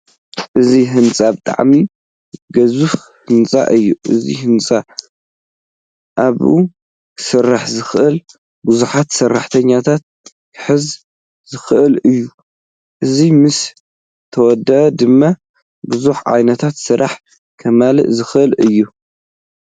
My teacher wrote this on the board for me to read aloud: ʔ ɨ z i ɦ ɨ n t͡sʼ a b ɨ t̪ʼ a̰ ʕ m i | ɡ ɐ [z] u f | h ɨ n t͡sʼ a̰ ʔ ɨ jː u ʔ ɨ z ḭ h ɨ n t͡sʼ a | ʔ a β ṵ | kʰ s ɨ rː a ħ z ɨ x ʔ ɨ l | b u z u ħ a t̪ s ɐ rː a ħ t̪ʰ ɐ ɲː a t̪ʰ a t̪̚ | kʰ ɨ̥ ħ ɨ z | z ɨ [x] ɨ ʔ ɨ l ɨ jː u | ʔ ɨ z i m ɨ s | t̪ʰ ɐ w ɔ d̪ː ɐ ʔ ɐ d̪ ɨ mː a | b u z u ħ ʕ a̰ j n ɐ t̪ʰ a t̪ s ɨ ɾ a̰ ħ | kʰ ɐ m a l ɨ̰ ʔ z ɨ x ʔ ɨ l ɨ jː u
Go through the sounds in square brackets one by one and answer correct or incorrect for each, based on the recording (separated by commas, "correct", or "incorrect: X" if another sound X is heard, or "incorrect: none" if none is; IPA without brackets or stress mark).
correct, correct